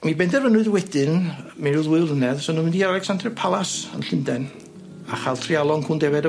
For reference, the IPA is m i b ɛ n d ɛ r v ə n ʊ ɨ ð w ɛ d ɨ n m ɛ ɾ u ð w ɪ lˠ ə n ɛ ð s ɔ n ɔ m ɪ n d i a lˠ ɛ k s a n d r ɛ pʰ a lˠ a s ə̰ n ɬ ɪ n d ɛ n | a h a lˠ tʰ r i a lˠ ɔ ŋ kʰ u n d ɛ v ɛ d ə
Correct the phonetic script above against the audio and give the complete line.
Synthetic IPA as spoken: m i b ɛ n d ɛ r v ə n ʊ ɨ ð w ɛ d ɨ n m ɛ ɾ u ð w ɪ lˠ ə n ɛ ð s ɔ n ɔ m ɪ n d i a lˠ ɛ k s a n d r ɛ pʰ a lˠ a s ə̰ n ɬ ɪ n d ɛ n | a χ a lˠ tʰ r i a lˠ ɔ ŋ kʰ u n d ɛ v ɛ d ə